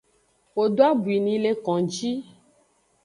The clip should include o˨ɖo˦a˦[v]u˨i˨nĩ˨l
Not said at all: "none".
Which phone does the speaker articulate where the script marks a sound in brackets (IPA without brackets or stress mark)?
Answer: b